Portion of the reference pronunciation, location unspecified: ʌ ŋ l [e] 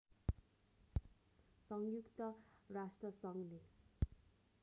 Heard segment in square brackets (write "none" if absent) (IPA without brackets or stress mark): e